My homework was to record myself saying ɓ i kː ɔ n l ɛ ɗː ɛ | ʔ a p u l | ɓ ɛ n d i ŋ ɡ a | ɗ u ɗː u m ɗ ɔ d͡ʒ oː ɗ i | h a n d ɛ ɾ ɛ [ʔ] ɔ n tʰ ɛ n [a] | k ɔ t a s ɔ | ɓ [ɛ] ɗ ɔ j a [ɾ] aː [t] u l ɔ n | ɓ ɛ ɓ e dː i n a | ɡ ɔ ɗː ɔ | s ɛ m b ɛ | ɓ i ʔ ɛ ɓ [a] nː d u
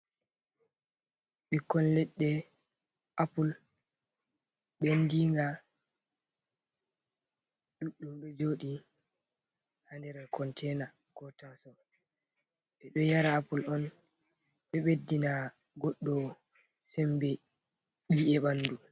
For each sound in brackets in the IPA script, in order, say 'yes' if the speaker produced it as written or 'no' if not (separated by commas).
no, yes, yes, yes, no, yes